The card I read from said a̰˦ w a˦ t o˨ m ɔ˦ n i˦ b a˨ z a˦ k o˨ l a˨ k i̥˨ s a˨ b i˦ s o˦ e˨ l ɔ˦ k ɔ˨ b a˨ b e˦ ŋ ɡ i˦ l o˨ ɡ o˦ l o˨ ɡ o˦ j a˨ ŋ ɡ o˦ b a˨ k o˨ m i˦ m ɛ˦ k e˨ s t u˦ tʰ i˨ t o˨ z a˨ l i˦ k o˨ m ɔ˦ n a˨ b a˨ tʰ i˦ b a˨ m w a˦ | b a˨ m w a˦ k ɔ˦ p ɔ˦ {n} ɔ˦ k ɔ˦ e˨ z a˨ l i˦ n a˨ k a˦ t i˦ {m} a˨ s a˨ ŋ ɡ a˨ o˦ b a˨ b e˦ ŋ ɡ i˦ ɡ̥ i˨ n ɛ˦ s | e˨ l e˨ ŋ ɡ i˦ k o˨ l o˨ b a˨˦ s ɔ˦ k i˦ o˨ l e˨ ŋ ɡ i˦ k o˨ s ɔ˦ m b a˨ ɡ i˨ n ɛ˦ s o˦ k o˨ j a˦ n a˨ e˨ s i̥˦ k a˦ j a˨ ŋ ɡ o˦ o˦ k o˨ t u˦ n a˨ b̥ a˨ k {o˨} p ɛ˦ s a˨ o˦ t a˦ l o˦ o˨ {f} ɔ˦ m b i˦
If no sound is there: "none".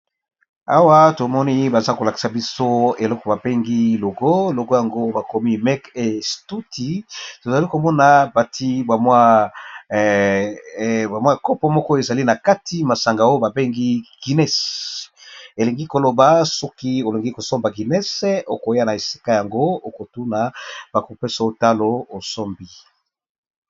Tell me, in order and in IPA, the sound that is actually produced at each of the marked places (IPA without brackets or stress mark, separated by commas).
m, m, o˨, s